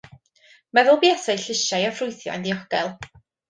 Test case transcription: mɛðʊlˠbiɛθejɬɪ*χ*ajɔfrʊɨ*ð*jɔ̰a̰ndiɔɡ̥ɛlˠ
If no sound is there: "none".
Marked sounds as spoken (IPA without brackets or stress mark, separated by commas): ʃ, θ